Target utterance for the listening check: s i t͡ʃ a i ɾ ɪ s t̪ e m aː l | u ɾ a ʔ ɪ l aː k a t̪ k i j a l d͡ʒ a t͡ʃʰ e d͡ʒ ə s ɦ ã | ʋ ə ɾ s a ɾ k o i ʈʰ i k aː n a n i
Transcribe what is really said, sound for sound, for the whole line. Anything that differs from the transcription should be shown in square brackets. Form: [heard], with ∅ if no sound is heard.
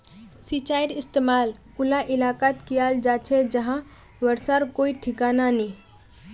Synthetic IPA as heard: s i t͡ʃ a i ɾ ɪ s t̪ e m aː l | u [l] a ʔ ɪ l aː k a t̪ k i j a l d͡ʒ a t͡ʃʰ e d͡ʒ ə [∅] ɦ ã | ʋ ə ɾ s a ɾ k o i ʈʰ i k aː n a n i